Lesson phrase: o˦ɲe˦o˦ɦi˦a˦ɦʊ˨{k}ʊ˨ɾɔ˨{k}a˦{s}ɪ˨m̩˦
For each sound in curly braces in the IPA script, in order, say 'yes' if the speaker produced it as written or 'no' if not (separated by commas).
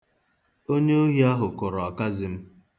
yes, yes, no